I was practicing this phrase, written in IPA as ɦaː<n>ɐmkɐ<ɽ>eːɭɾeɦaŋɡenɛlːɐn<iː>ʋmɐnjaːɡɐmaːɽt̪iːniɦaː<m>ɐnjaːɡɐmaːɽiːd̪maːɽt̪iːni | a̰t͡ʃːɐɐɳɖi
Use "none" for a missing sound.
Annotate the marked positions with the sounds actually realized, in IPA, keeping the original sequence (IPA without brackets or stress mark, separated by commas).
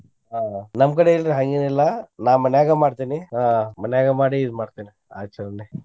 n, ɽ, aː, m